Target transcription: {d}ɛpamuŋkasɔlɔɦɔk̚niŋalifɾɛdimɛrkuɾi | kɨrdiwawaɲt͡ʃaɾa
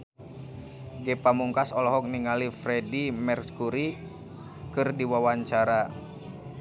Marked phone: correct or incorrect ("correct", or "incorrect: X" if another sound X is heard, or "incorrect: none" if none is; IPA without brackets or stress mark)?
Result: incorrect: ɡ